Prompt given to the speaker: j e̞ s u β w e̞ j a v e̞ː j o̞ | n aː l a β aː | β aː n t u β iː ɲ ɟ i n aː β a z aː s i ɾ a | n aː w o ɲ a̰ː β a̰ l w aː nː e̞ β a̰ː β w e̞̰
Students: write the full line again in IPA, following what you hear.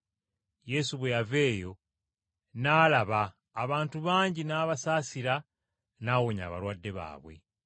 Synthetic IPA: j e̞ s u β w e̞ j a v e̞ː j o̞ | n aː l a β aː | β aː n t u β aː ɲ ɟ i n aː β a s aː s i ɾ a | n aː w o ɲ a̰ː β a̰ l w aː dː e̞ β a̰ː β w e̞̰